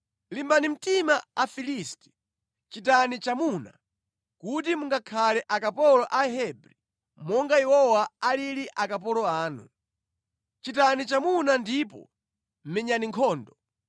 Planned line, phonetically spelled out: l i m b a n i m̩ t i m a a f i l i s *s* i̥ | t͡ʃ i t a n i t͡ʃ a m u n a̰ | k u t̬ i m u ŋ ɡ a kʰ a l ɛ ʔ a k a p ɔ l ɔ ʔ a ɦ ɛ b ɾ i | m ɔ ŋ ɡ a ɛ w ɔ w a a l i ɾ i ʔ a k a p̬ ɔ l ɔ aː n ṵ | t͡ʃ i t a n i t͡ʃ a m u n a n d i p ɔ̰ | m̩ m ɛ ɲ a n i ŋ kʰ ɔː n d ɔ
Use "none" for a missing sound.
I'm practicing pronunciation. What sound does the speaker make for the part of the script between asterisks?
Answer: t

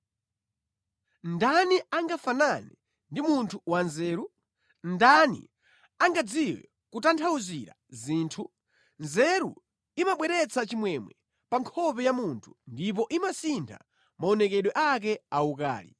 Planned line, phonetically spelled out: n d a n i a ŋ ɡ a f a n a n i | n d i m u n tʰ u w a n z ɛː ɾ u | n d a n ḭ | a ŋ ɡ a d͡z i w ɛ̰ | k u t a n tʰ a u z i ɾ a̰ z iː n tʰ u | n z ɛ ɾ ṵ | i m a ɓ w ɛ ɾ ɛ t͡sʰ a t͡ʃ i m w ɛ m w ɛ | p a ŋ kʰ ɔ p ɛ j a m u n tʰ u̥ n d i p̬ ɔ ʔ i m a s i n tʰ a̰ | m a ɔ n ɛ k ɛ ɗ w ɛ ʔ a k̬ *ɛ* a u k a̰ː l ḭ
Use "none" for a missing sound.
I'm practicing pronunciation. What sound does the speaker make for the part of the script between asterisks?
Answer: ɛ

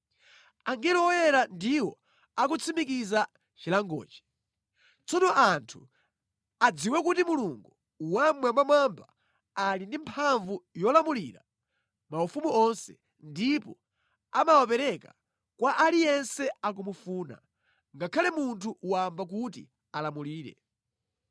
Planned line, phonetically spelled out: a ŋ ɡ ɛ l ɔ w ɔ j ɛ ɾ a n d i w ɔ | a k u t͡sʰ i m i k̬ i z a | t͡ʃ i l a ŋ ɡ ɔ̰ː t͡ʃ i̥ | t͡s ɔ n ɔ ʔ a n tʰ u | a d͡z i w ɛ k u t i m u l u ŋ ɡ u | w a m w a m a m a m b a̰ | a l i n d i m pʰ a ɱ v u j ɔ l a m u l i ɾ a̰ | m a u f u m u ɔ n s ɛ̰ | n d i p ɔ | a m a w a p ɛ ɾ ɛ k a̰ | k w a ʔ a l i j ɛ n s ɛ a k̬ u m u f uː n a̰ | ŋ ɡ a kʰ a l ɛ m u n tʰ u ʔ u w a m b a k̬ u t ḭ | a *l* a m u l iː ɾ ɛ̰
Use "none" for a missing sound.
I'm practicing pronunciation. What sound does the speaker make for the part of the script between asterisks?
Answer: l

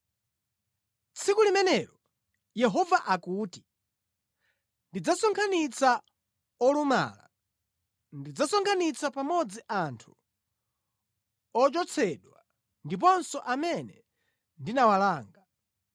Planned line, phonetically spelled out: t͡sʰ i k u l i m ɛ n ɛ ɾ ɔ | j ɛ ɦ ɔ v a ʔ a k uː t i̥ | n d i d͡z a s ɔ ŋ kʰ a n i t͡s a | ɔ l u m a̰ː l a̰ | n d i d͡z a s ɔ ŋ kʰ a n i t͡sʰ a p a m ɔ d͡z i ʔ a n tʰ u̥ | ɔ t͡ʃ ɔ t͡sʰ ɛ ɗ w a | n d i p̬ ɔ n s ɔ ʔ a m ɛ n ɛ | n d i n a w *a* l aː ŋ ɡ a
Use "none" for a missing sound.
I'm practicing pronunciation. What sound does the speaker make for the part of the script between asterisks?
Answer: a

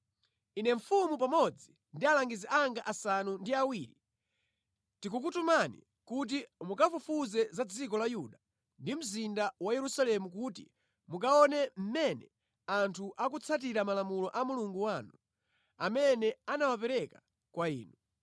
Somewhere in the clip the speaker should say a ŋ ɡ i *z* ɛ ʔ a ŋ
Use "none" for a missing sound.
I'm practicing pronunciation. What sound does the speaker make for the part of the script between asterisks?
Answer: z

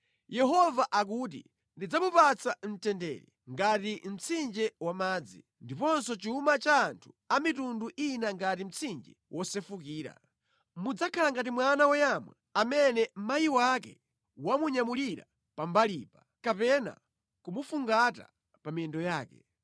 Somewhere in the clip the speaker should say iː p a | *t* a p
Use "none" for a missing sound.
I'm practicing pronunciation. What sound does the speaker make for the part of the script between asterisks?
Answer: k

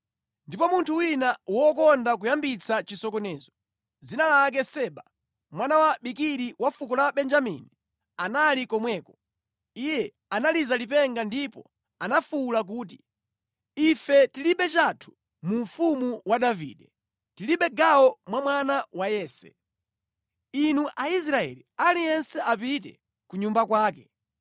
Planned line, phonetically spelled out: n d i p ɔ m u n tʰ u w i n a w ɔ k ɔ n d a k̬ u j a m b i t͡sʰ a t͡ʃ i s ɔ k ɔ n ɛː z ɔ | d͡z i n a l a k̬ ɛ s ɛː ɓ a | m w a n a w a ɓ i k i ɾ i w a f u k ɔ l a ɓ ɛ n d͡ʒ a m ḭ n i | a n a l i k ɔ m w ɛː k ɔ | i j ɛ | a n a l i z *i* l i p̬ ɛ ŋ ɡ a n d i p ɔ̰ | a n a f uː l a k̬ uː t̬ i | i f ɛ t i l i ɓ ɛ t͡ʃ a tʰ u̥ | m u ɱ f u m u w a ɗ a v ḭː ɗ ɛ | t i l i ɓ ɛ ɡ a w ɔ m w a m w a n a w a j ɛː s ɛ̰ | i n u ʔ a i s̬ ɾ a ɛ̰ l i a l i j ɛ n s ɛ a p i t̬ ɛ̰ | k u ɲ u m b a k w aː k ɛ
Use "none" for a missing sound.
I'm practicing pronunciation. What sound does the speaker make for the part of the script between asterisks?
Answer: a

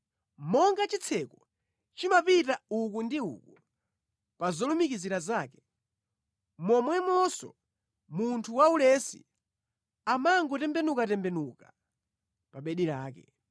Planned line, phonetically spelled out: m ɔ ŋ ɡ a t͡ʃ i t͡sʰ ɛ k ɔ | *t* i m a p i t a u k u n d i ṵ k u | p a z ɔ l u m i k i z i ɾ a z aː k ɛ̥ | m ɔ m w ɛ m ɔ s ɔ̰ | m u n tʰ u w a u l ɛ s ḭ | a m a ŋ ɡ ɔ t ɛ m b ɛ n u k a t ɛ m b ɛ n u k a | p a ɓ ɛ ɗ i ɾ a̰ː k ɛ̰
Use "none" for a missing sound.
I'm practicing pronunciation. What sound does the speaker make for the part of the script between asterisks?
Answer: t͡ʃ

